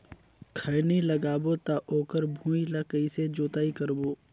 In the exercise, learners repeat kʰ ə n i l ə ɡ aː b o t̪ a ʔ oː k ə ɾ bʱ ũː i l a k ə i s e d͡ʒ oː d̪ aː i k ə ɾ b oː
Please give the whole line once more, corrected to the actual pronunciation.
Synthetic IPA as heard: kʰ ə n i l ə ɡ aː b o t̪ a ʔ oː k ə ɾ bʱ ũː i l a k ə i s e d͡ʒ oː t̪ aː i k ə ɾ b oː